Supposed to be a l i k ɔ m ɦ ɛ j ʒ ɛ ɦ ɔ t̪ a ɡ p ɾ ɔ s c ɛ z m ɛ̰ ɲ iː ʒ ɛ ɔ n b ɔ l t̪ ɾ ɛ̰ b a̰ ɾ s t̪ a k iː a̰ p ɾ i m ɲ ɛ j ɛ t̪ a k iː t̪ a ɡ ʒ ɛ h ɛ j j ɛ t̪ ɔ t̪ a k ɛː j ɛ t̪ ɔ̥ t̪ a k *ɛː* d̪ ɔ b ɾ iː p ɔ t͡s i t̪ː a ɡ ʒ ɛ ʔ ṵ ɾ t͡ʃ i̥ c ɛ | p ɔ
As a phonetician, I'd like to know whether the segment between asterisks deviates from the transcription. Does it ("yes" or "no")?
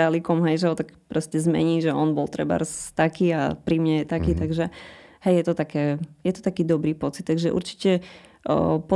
yes